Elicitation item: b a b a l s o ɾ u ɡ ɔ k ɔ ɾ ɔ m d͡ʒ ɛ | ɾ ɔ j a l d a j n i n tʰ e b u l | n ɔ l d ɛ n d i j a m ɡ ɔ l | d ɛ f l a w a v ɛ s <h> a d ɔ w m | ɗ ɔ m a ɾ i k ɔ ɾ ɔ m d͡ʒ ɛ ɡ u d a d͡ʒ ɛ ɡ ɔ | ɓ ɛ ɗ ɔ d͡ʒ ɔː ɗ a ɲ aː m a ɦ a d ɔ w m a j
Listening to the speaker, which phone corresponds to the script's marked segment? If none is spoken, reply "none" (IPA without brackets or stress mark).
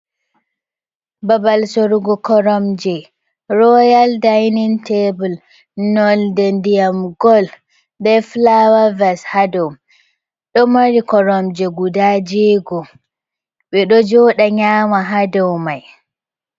h